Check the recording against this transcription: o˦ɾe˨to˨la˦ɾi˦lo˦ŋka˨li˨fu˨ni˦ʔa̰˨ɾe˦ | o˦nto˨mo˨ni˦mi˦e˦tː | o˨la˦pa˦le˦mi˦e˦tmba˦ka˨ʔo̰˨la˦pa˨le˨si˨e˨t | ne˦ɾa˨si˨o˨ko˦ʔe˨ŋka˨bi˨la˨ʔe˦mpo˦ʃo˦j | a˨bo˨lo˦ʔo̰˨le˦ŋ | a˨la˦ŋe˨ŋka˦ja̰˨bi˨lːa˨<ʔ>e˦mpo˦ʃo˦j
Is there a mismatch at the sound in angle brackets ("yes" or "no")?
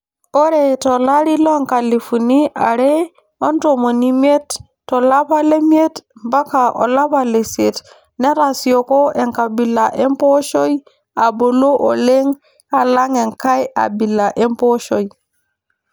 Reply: no